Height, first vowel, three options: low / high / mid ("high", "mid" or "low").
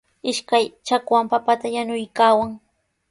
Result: high